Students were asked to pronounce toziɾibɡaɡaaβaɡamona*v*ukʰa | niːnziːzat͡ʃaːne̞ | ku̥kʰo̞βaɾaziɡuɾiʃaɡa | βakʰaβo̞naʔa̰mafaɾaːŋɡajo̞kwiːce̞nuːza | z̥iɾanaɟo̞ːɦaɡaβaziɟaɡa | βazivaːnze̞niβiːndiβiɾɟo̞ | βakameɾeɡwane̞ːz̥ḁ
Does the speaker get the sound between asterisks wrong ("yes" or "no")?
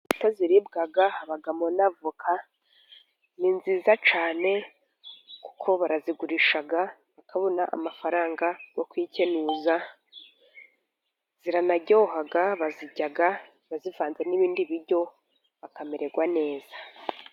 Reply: no